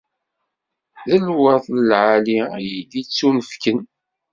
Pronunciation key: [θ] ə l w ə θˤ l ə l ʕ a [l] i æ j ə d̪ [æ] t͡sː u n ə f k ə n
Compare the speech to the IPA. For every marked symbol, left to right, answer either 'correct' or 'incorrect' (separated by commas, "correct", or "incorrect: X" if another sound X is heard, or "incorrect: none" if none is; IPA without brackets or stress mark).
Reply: incorrect: ð, correct, incorrect: i